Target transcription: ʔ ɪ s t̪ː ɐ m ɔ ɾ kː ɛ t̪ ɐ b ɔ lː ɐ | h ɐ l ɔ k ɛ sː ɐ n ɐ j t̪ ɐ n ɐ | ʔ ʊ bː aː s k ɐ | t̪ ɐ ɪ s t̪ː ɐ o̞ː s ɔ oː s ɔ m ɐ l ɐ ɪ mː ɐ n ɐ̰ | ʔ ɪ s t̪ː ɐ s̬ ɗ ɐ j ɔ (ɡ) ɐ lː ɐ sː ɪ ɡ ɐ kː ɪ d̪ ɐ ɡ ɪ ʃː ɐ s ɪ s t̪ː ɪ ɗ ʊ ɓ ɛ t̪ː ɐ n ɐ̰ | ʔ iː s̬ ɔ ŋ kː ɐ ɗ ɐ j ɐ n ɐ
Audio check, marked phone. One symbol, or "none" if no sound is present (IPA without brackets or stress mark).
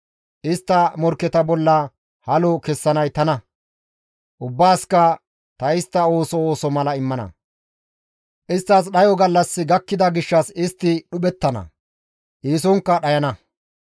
ɡ